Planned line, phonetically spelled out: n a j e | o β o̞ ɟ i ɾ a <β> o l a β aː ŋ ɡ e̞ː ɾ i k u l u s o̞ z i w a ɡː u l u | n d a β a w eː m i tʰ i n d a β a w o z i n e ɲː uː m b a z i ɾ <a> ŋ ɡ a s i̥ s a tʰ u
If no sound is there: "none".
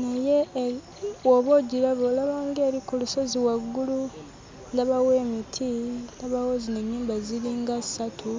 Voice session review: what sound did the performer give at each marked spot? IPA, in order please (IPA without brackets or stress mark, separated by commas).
β, i